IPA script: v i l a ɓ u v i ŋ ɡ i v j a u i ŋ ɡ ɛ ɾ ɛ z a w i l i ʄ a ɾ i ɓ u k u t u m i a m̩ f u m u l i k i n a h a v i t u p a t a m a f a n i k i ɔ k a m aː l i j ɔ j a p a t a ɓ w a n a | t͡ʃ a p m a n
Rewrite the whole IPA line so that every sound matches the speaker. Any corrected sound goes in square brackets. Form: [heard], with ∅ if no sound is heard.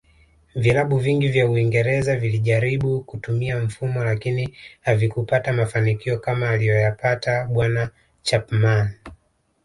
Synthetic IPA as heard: v i l a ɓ u v i ŋ ɡ i v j a u i ŋ ɡ ɛ ɾ ɛ z a [v] i l i ʄ a ɾ i ɓ u k u t u m i a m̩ f u m [ɔ] l [a] k i n [i] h a v i [k] u p a t a m a f a n i k i ɔ k a m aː l i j ɔ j a p a t a ɓ w a n a | t͡ʃ a p m a n